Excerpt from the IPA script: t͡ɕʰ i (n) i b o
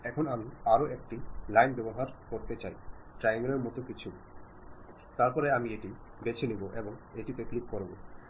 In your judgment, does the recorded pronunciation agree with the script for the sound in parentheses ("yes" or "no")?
yes